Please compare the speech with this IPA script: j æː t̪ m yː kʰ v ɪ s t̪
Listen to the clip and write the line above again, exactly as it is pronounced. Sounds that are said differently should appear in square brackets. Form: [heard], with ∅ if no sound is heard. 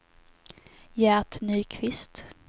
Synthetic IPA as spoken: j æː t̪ [n] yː kʰ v ɪ s t̪